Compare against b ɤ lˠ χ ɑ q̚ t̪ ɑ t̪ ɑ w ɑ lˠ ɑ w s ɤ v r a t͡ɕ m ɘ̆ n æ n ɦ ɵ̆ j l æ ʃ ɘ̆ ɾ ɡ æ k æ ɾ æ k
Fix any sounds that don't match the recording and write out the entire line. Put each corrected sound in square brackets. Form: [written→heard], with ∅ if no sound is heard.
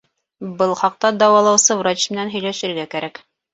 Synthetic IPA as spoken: b ɤ lˠ χ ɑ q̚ t̪ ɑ [t̪→d̪] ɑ w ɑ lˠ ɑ w s ɤ v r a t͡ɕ m ɘ̆ n æ n ɦ ɵ̆ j l æ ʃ ɘ̆ ɾ ɡ æ k æ ɾ æ k